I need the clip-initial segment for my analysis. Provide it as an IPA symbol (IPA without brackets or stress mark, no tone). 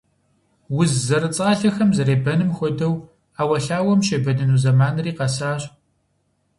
w